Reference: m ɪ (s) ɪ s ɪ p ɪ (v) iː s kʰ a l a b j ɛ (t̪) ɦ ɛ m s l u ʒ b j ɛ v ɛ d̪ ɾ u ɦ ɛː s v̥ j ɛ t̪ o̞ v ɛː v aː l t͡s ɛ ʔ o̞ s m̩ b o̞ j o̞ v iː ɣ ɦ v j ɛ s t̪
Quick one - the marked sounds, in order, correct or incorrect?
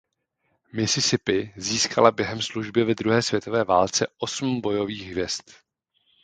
correct, incorrect: z, incorrect: none

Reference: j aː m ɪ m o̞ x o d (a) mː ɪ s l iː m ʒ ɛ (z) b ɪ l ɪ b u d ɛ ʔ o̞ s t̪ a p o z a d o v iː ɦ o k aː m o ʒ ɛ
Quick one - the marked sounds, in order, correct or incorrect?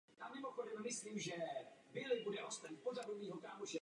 incorrect: ɛ, incorrect: none

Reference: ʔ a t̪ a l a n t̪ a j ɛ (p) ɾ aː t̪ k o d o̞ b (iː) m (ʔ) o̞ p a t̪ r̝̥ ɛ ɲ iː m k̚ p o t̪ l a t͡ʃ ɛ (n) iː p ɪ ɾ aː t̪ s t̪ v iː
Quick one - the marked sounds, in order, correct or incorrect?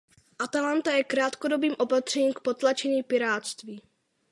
incorrect: k, correct, correct, incorrect: ɲ

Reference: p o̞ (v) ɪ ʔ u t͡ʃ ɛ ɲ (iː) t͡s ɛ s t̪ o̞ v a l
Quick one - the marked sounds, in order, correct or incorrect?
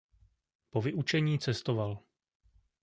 correct, correct

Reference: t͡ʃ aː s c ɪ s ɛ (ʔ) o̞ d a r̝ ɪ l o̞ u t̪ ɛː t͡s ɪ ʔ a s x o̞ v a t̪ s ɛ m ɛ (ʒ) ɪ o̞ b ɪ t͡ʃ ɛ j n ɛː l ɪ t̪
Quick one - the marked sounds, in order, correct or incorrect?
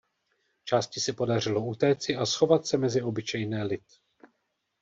incorrect: p, incorrect: z

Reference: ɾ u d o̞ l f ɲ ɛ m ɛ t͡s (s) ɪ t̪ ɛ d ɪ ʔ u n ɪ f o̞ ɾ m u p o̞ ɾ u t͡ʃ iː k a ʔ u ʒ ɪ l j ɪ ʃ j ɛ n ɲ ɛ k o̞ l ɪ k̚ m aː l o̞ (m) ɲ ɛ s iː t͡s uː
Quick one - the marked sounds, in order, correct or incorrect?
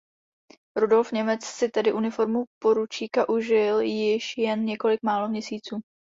correct, correct

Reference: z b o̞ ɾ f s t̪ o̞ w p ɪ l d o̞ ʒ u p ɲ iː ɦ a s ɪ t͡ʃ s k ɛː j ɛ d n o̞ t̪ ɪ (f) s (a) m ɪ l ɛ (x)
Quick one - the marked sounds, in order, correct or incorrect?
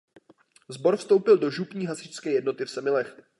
correct, incorrect: ɛ, correct

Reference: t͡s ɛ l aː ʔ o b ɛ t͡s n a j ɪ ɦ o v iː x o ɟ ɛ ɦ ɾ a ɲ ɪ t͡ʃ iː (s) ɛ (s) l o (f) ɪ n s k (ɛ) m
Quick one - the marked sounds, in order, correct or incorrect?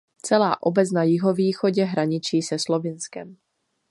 correct, correct, incorrect: v, correct

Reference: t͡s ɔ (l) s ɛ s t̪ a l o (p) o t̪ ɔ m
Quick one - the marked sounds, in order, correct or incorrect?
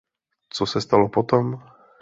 incorrect: none, correct

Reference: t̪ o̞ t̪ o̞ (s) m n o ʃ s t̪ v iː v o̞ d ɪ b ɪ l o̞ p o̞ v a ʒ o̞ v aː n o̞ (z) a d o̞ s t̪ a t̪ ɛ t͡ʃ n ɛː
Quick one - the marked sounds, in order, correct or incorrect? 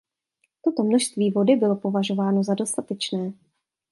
incorrect: none, correct

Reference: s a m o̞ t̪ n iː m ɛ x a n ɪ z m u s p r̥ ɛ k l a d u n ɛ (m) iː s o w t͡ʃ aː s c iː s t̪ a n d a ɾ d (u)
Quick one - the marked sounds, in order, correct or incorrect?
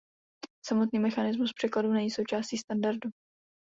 incorrect: ɲ, correct

